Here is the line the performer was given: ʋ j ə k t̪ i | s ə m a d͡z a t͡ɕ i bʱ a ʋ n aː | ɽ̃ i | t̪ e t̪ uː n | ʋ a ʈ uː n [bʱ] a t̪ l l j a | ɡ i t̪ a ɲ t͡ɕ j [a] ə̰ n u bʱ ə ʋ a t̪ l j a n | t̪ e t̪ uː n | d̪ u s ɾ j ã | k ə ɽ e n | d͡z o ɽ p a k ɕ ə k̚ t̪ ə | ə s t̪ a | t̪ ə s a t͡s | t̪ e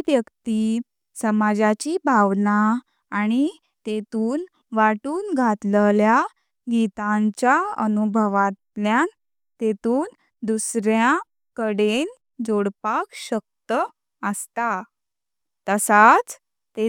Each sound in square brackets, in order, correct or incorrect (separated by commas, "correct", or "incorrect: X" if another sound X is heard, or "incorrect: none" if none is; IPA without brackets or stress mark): incorrect: ɡʱ, correct